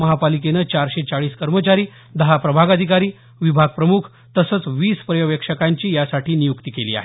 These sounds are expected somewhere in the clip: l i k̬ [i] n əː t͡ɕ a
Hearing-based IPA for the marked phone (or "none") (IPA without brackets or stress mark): e